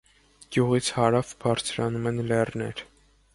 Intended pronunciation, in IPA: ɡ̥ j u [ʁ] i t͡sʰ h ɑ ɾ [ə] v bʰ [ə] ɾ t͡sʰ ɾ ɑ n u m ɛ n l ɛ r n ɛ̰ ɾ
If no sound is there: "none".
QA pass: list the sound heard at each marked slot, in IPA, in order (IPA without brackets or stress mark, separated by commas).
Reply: ʁ, ɑ, ɑ